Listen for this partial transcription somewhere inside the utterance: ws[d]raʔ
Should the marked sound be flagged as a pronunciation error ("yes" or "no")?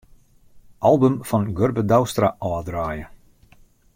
yes